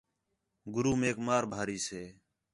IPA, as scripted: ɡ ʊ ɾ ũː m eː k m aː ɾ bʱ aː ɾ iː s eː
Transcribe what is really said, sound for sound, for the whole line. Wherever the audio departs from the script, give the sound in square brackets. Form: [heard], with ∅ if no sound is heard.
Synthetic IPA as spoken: ɡ ʊ ɾ [uː] m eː k m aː ɾ bʱ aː ɾ iː s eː

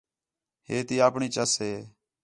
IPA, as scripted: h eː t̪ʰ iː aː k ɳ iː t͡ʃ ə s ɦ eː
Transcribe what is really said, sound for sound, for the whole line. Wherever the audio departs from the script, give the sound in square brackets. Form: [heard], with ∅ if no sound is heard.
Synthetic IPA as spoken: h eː [t̪] iː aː [p] ɳ iː t͡ʃ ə s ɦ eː

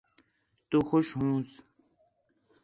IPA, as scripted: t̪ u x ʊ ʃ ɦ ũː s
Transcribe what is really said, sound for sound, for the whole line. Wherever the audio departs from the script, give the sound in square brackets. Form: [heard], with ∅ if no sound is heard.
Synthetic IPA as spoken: t̪ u x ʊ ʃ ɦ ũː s

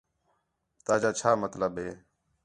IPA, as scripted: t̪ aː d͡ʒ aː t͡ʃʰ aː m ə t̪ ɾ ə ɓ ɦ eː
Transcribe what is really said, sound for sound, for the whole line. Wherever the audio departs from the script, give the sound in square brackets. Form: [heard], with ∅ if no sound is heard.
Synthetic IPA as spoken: t̪ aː d͡ʒ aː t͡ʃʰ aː m ə t̪ [l] ə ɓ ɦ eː

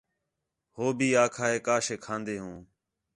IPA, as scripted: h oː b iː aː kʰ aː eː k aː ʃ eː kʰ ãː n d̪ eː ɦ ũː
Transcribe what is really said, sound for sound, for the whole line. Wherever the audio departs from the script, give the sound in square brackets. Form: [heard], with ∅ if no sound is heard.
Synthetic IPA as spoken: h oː b iː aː kʰ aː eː k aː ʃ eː kʰ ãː n d̪ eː ɦ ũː

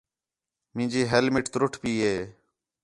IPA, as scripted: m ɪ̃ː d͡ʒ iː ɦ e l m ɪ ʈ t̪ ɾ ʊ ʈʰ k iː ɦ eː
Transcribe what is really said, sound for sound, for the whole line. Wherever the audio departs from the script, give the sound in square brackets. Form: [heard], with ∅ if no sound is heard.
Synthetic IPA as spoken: m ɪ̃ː d͡ʒ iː ɦ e l m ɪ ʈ t̪ ɾ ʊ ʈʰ [p] iː ɦ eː

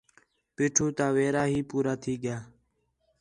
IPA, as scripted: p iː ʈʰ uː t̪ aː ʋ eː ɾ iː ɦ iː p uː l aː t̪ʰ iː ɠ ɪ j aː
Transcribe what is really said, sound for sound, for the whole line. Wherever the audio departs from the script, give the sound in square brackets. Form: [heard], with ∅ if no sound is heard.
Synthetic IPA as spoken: p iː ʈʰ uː t̪ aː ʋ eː ɾ [aː] ɦ iː p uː [ɾ] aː t̪ʰ iː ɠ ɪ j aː

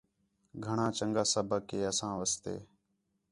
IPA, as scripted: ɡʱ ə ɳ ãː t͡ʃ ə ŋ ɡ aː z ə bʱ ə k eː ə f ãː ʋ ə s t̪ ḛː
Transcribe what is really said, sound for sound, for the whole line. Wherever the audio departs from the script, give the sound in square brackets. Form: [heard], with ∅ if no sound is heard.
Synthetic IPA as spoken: ɡʱ ə ɳ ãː t͡ʃ ə ŋ ɡ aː [s] ə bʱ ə k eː ə [s] ãː ʋ ə s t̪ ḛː

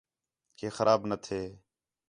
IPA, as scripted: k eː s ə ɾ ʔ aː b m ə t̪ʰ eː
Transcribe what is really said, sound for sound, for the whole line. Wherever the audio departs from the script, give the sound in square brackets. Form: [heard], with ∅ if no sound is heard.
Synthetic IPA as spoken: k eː [x] ə ɾ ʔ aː b [n] ə t̪ʰ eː

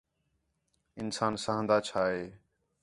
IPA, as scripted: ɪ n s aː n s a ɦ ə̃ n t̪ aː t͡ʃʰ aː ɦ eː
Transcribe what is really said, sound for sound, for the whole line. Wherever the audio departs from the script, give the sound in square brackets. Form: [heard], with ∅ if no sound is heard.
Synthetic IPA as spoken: ɪ n s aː n s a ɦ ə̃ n [d̪] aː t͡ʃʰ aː ɦ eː

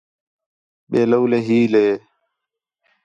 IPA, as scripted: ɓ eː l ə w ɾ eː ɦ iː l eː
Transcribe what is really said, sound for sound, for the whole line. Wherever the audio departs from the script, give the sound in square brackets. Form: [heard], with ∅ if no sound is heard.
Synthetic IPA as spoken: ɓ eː l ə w [l] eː ɦ iː l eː

